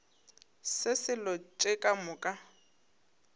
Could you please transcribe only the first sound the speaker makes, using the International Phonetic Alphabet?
s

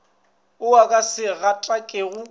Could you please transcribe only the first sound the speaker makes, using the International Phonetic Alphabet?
ʊ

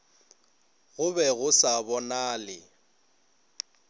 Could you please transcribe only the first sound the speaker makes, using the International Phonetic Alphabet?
ɣ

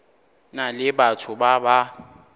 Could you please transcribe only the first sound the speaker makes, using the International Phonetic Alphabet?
n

